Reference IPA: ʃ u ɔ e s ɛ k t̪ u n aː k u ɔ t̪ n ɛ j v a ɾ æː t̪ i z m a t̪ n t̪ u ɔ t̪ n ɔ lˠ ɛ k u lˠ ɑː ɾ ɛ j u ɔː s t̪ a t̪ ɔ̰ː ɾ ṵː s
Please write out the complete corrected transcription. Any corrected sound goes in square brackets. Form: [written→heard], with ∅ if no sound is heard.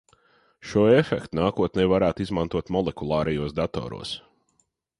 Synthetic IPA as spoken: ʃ u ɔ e [s→f] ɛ k t̪ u n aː k u ɔ t̪ n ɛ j v a ɾ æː t̪ i z m a [t̪→∅] n t̪ u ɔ t̪ [n→m] ɔ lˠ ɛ k u lˠ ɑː ɾ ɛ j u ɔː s [t̪→d̪] a t̪ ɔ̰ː ɾ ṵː s